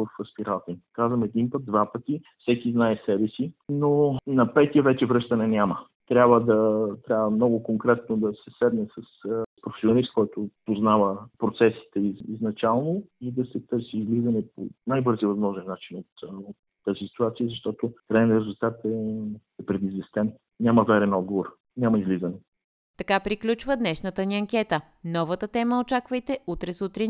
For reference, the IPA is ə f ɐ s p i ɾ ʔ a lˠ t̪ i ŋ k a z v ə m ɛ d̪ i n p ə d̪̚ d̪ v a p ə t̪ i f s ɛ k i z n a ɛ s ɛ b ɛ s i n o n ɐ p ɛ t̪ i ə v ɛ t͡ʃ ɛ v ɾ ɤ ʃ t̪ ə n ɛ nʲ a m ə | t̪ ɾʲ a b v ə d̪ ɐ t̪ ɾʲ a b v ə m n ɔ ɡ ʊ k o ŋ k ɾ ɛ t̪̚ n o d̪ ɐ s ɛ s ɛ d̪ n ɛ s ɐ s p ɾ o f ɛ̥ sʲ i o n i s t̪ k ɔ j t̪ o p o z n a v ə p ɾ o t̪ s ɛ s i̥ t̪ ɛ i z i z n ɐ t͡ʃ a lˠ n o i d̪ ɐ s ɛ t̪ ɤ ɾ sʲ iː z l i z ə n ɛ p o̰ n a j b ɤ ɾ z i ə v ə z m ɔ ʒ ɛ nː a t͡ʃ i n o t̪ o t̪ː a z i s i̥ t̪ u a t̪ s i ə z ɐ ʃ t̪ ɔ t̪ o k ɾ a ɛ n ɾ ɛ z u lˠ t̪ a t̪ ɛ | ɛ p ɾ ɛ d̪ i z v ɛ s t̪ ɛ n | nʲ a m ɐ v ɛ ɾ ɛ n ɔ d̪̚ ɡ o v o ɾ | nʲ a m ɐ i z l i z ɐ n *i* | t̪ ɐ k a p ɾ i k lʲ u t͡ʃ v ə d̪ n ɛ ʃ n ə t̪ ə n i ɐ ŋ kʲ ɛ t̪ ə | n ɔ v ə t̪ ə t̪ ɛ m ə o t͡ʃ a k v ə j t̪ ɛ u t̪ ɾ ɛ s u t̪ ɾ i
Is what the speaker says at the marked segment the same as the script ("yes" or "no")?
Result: no